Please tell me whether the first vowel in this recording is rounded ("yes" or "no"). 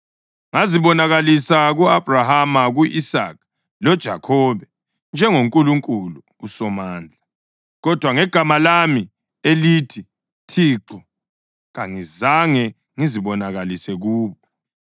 no